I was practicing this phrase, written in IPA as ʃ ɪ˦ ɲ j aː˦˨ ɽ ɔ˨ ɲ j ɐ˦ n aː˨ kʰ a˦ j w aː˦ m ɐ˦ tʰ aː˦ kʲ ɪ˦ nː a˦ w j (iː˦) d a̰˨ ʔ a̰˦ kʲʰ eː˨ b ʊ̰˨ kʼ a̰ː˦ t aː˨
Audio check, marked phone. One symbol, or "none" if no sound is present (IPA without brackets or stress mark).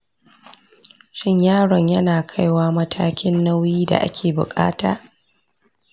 iː˦